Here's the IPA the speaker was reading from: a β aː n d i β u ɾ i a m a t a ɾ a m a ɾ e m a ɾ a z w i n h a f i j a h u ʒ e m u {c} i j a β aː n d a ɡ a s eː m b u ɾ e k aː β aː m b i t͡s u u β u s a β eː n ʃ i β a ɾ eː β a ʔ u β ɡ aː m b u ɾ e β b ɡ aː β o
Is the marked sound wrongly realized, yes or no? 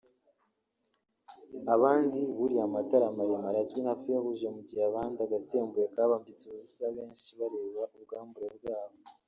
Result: yes